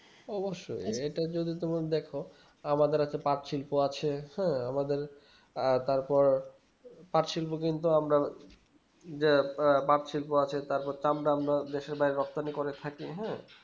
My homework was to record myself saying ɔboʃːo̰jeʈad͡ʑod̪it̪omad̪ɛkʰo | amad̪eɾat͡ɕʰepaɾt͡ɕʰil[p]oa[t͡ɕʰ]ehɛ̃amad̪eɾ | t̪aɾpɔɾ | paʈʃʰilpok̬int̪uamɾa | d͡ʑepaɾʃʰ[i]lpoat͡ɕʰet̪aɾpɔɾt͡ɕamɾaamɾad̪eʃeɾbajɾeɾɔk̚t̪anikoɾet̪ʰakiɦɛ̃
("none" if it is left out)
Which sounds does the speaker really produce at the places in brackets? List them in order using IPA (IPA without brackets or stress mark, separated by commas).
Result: p, t͡ɕʰ, i